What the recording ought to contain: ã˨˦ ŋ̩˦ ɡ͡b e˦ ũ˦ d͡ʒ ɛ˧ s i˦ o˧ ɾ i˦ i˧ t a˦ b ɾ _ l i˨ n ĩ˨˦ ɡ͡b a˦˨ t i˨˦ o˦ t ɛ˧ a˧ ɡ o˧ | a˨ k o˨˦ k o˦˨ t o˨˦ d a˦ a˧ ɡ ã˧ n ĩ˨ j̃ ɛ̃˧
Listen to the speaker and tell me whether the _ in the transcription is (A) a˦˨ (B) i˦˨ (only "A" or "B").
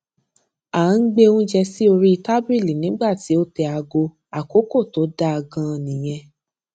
B